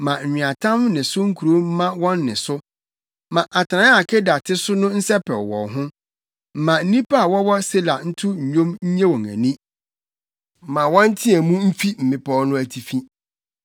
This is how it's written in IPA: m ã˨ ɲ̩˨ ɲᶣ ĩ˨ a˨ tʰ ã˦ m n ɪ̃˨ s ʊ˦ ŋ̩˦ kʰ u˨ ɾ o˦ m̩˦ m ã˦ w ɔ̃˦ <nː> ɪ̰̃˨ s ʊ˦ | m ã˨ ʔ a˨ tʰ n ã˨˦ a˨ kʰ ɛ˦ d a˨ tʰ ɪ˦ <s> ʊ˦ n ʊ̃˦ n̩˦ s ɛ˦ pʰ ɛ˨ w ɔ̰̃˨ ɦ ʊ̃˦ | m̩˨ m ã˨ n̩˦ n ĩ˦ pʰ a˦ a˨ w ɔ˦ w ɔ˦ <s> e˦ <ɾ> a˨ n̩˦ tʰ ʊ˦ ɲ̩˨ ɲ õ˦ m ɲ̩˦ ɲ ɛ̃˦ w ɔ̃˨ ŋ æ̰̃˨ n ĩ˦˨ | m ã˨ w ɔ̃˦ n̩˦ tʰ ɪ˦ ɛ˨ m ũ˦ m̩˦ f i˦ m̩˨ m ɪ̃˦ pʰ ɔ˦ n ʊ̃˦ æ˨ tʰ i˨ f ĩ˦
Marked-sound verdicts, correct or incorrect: correct, correct, correct, incorrect: l

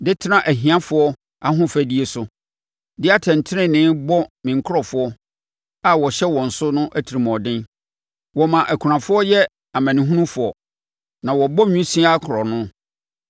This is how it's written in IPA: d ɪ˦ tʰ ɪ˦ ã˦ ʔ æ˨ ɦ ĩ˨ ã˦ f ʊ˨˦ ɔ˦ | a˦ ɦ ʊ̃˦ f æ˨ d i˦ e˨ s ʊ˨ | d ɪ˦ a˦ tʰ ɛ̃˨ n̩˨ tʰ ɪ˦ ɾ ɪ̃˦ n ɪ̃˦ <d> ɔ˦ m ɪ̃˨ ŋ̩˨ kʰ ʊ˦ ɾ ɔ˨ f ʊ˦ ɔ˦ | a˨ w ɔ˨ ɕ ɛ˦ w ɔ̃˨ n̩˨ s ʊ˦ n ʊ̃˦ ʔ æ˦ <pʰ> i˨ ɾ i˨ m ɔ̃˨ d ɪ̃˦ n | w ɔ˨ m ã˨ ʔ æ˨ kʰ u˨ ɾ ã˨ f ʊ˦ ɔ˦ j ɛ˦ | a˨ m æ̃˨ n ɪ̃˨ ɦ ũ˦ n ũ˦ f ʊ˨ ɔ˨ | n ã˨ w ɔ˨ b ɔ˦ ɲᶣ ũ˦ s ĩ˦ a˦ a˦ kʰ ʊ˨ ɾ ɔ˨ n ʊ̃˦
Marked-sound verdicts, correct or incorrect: incorrect: b, incorrect: tʰ

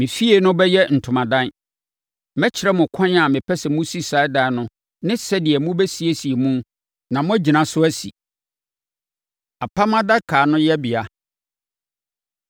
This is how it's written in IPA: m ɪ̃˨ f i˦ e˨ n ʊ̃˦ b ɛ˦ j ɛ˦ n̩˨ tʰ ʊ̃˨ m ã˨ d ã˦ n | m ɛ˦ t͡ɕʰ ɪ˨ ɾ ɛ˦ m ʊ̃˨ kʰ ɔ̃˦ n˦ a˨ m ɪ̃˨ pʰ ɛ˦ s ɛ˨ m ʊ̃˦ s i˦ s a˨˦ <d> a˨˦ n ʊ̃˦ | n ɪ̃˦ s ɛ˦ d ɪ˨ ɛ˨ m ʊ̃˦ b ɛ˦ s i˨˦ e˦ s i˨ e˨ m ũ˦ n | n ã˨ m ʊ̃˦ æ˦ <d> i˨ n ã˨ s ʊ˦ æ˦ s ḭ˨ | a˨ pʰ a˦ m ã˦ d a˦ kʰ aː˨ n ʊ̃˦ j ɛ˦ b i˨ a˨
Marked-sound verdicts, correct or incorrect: correct, incorrect: d͡ʑ

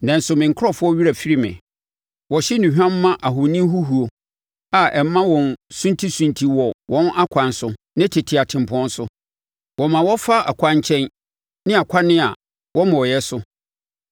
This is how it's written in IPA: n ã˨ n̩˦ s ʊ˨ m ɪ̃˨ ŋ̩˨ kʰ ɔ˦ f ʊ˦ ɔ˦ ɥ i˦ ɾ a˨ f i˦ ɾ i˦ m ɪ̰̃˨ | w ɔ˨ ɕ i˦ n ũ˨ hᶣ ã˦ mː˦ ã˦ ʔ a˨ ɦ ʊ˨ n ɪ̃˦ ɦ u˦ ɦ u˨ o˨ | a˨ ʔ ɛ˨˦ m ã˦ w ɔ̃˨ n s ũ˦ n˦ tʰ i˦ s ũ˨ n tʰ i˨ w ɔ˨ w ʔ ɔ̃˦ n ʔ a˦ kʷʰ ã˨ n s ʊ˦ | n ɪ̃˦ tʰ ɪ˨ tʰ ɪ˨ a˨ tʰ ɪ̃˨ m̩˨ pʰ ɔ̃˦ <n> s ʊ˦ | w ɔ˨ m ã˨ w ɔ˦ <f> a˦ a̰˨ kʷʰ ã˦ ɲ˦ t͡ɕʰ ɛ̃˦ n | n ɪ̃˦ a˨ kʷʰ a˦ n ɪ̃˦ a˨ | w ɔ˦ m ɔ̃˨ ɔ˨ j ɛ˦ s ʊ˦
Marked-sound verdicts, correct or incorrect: correct, correct

